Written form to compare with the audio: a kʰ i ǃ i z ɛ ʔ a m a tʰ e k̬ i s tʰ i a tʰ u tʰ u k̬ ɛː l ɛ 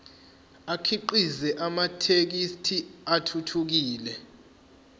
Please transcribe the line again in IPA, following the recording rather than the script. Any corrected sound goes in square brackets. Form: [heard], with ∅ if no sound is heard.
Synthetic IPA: a kʰ i ǃ i z ɛ ʔ a m a tʰ e k̬ i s tʰ i a tʰ u tʰ u k̬ [iː] l ɛ